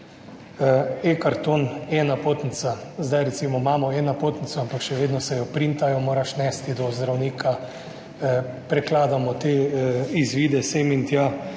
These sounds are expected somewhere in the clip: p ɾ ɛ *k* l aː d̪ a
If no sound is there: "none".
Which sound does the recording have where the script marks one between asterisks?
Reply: k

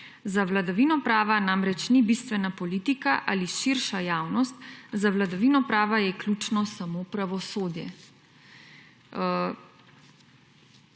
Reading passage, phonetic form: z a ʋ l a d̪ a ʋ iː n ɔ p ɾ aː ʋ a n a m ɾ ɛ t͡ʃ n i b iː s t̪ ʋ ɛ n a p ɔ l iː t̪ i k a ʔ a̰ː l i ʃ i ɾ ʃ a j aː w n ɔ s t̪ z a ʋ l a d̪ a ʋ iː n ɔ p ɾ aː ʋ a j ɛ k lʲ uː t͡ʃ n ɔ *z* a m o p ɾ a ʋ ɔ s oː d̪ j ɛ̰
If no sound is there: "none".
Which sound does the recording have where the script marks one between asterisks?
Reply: s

